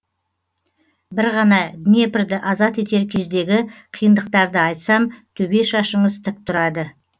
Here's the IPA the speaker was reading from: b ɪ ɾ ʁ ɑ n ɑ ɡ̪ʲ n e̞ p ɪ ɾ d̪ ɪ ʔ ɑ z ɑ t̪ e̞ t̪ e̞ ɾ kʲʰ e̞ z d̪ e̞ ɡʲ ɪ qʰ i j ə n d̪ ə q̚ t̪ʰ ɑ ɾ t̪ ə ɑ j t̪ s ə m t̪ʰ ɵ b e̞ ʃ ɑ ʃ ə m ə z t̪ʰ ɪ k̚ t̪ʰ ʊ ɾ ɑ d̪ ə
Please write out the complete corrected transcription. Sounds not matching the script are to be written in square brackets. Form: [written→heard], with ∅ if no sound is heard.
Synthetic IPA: b ɪ ɾ ʁ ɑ n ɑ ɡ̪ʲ n e̞ p ɪ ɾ d̪ ɪ ʔ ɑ z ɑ t̪ e̞ t̪ e̞ ɾ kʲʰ e̞ z d̪ e̞ ɡʲ ɪ qʰ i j ə n d̪ ə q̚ [t̪ʰ→t̪] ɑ ɾ [t̪→d̪] ə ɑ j t̪ s [ə→ɑ] m t̪ʰ ɵ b e̞ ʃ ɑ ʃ ə [m→ɴ] ə z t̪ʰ ɪ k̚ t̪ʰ ʊ ɾ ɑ d̪ ə